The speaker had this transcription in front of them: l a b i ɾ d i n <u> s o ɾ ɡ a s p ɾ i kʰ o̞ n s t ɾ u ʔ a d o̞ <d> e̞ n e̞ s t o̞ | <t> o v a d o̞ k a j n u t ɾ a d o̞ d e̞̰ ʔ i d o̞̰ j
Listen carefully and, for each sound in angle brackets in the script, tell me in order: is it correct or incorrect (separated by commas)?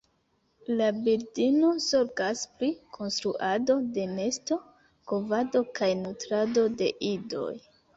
incorrect, correct, incorrect